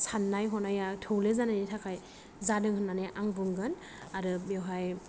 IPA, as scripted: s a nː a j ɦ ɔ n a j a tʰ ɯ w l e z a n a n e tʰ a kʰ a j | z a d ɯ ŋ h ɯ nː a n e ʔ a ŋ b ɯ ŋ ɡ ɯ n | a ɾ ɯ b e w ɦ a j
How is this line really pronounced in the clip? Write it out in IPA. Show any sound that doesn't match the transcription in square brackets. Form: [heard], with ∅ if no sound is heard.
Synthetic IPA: s a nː a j ɦ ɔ n a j a tʰ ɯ w l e z a n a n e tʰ a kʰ a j | z a d ɯ ŋ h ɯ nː a n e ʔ a ŋ b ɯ ŋ ɡ ɯ n | a ɾ ɯ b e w ɦ a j